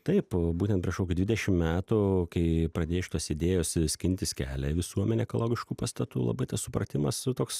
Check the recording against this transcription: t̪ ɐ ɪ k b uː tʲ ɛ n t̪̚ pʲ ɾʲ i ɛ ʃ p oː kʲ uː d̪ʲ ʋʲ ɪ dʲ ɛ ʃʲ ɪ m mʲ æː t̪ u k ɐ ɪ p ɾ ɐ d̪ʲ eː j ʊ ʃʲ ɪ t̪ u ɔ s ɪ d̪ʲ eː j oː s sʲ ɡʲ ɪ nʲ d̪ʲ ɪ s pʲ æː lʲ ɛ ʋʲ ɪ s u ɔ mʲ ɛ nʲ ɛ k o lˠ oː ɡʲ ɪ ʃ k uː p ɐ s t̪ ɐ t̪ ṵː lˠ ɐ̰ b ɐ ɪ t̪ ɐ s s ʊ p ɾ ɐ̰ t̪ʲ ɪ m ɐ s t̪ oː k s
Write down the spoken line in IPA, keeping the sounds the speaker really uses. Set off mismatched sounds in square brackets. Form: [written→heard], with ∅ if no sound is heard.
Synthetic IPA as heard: t̪ ɐ ɪ [k→p] b uː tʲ ɛ n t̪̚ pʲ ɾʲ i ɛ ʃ [p→k] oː kʲ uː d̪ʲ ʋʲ ɪ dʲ ɛ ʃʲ ɪ m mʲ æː t̪ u k ɐ ɪ p ɾ ɐ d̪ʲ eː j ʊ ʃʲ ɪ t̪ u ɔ s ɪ d̪ʲ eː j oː s sʲ [ɡʲ→kʲ] ɪ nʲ [d̪ʲ→t̪ʲ] ɪ s [pʲ→kʲ] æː lʲ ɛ ʋʲ ɪ s u ɔ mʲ ɛ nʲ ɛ k o lˠ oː ɡʲ ɪ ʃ k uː p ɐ s t̪ ɐ t̪ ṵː lˠ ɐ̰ b ɐ ɪ t̪ ɐ s s ʊ p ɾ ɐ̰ t̪ʲ ɪ m ɐ s t̪ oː k s